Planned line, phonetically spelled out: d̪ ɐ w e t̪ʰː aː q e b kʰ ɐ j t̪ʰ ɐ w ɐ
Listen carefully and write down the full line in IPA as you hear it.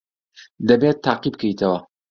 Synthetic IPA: d̪ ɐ b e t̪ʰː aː q i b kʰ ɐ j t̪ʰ ɐ w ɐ

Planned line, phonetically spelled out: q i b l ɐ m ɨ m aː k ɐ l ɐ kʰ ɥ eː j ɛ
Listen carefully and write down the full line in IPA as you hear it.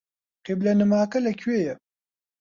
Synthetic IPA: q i b l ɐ n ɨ m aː k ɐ l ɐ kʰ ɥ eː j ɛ

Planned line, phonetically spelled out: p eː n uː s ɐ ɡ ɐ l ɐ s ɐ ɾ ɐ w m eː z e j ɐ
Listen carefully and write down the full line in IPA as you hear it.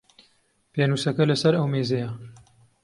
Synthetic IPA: p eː n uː s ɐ k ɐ l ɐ s ɐ ɾ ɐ w m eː z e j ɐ

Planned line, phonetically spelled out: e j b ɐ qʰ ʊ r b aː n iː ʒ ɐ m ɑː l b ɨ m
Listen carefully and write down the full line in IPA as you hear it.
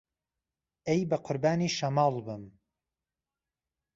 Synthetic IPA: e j b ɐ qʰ ʊ ɾ b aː n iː ʃ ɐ m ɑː l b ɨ m

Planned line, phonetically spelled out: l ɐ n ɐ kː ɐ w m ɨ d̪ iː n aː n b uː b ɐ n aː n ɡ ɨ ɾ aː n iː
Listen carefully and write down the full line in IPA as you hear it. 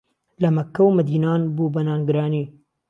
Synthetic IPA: l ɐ m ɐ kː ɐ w m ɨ d̪ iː n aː n b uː b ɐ n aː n ɡ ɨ ɾ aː n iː

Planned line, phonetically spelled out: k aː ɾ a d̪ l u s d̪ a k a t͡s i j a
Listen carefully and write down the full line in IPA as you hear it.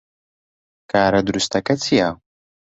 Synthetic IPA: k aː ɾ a d̪ ɾ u s t̪ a k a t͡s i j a

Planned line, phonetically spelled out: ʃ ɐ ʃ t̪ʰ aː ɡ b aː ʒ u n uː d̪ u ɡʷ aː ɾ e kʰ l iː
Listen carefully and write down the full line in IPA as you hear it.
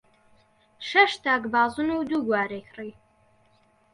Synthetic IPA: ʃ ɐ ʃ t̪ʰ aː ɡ b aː z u n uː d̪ u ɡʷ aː ɾ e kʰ r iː

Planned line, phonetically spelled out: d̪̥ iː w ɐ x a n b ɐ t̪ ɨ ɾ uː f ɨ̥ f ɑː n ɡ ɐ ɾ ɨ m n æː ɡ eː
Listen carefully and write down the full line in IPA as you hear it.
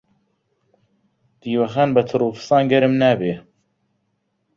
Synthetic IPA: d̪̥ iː w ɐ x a n b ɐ t̪ʰ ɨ ɾ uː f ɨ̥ s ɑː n ɡ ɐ ɾ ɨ m n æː b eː

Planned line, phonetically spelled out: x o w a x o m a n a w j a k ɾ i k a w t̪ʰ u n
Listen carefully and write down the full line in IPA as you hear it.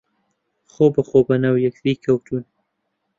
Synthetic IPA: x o b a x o b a n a w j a k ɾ i k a w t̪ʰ u n

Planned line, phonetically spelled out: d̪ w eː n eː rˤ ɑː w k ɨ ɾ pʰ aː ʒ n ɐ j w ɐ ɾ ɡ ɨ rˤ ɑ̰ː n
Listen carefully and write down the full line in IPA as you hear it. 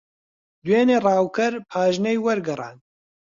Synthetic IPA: d̪ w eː n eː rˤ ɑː w k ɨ ɾ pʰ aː ʒ n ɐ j w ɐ ɾ ɡ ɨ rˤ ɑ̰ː n

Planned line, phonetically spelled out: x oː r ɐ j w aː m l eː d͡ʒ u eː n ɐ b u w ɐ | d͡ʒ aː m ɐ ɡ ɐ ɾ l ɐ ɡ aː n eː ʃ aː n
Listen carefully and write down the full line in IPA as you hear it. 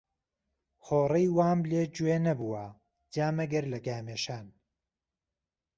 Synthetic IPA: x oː r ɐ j w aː m l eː d͡ʒ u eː n ɐ b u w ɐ | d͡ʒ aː m ɐ ɡ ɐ ɾ l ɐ ɡ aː m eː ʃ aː n

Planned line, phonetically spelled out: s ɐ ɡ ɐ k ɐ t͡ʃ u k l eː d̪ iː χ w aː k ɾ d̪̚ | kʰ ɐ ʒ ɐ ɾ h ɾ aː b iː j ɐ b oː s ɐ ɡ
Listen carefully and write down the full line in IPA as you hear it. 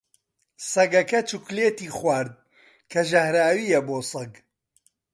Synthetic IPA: s ɐ ɡ ɐ k ɐ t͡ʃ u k l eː t̪ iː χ w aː ɾ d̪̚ | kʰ ɐ ʒ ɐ h ɾ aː w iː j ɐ b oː s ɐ ɡ

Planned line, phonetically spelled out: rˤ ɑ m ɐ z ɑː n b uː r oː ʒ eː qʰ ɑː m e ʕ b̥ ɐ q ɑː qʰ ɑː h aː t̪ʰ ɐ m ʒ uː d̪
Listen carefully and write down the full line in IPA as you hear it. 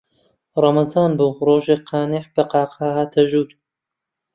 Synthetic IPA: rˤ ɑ m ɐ z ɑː n b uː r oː ʒ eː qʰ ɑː n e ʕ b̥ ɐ q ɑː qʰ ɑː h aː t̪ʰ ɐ ʒ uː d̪

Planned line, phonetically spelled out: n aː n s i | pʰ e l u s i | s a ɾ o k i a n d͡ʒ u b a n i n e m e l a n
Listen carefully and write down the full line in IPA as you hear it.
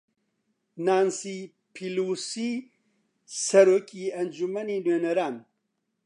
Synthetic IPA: n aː n s i | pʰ i l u s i | s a ɾ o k i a n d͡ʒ u m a n i n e n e ɾ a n

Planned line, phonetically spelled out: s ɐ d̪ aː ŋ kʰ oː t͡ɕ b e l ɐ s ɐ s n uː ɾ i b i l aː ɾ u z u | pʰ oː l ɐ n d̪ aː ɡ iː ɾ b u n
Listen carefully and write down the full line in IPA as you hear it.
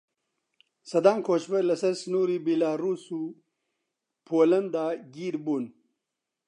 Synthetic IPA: s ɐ d̪ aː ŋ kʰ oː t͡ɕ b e l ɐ s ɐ s n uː ɾ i b i l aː ɾ u s u | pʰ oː l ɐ n d̪ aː ɡ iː ɾ b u n

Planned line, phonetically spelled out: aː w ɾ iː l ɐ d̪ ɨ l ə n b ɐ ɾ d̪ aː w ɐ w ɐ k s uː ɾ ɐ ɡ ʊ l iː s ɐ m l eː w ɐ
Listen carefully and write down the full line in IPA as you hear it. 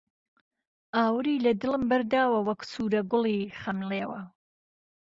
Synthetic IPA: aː w ɾ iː l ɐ d̪ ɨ l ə m b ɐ ɾ d̪ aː w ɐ w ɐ k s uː ɾ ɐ ɡ ʊ l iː χ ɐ m l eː w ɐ

